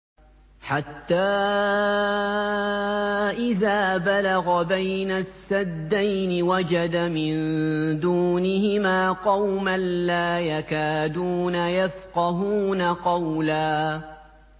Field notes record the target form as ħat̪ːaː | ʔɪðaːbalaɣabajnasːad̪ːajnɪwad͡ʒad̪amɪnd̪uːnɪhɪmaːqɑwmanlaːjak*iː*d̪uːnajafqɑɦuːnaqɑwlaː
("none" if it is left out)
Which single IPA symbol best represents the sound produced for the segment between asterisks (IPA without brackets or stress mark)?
aː